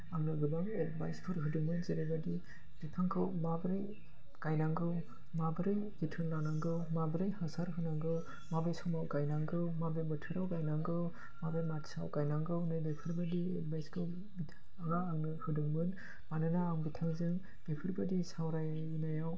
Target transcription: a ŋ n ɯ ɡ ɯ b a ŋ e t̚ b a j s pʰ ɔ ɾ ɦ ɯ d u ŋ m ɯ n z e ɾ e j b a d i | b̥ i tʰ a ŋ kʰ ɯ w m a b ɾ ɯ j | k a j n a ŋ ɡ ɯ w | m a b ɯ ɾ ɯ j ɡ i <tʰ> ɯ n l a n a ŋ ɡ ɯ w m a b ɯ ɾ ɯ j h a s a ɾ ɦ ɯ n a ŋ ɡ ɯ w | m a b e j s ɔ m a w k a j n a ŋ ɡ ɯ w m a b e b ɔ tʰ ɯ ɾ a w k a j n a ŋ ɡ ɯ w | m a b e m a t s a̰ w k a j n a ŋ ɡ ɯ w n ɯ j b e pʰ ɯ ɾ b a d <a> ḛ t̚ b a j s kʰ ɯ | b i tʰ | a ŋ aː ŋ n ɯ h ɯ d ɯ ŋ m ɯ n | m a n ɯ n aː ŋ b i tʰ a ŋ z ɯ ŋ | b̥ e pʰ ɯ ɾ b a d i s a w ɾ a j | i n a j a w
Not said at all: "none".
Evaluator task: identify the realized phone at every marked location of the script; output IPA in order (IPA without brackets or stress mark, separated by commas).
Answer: tʰ, i